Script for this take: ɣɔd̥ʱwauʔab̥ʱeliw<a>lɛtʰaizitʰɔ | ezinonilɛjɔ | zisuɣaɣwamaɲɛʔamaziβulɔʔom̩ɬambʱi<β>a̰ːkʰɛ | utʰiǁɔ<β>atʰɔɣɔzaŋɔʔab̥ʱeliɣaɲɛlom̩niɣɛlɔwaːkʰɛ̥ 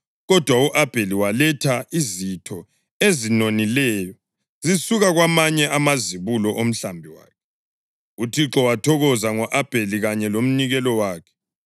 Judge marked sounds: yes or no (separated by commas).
yes, no, no